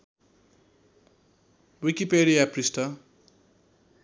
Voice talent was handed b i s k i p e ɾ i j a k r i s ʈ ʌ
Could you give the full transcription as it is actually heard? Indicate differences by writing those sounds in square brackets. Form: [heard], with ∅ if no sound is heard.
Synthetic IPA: [w] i [∅] k i p e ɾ i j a [p] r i s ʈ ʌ